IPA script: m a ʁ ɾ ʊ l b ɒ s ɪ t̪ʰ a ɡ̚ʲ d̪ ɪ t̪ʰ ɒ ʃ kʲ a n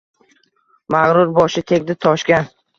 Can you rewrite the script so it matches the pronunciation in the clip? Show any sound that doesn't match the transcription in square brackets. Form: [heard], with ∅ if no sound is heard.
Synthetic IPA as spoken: m a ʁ ɾ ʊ [ɾ] b ɒ [ʃ] ɪ t̪ʰ [e] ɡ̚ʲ d̪ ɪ t̪ʰ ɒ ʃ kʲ a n